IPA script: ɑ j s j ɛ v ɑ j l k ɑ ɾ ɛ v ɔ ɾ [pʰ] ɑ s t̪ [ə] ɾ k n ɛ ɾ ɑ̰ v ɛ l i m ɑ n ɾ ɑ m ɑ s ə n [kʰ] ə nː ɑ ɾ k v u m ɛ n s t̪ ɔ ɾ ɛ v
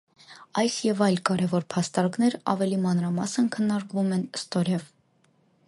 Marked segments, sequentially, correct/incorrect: correct, incorrect, correct

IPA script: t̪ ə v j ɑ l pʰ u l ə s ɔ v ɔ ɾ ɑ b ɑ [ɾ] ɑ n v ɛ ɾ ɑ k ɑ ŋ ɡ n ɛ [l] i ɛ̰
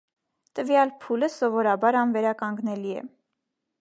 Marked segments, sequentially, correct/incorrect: correct, correct

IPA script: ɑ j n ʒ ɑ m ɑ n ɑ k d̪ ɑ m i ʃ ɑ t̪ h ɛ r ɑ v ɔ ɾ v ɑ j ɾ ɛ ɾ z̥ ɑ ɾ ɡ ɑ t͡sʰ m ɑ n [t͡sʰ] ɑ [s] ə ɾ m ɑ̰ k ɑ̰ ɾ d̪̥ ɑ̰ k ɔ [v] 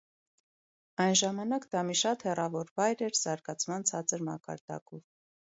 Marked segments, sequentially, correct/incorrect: correct, incorrect, correct

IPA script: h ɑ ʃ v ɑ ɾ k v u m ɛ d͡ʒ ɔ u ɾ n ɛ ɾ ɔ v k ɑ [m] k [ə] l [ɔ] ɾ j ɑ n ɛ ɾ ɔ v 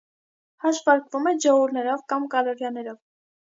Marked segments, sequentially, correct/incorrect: correct, incorrect, correct

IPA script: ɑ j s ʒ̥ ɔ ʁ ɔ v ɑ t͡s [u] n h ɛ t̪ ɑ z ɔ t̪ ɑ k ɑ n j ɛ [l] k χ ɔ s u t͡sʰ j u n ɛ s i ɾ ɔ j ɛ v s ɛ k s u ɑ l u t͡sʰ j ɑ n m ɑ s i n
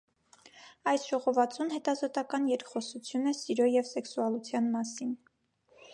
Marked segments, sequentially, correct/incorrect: correct, incorrect

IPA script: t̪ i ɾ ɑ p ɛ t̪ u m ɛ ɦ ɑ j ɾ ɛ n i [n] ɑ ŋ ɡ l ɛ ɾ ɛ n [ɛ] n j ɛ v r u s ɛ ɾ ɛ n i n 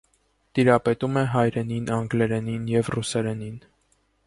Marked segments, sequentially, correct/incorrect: correct, incorrect

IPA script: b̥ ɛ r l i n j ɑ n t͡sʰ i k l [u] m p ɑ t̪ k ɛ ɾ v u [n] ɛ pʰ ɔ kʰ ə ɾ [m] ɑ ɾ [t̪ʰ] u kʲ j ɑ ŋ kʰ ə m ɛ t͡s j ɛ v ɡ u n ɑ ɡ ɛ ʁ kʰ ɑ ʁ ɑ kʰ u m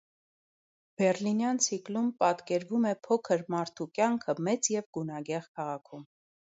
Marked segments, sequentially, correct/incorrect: correct, incorrect, correct, correct

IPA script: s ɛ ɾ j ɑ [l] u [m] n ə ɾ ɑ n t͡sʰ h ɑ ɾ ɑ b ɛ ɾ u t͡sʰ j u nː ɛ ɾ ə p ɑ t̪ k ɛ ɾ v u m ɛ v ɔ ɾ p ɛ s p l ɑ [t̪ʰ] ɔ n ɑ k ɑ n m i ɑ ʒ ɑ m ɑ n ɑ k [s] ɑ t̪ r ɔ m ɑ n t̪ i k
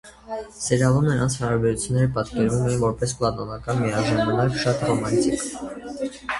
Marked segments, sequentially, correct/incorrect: correct, correct, incorrect, incorrect

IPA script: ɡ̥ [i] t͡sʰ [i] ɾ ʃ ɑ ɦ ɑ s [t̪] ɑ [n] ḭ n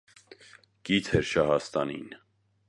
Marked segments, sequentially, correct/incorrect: correct, incorrect, correct, correct

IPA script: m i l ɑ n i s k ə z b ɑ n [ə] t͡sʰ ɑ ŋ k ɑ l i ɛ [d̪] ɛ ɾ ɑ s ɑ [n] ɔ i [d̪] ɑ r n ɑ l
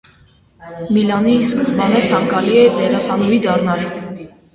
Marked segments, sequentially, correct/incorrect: correct, correct, correct, correct

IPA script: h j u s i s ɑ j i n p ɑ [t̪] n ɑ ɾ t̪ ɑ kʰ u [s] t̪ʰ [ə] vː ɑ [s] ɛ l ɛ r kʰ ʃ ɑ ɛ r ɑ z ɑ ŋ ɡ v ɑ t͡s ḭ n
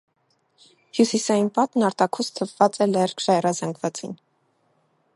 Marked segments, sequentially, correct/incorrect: correct, correct, correct, incorrect

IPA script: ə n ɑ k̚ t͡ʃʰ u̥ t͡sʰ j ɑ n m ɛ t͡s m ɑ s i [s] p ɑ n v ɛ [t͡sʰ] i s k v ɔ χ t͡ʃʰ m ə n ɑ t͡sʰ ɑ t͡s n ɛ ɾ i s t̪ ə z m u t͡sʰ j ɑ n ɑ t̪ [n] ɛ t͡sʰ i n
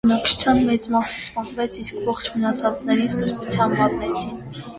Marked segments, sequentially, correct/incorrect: correct, correct, correct

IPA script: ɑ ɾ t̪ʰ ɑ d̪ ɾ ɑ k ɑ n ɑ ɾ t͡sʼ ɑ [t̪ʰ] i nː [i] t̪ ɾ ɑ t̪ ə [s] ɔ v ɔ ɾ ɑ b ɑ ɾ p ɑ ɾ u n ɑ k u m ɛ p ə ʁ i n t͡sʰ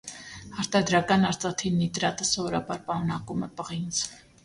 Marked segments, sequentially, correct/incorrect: correct, correct, correct

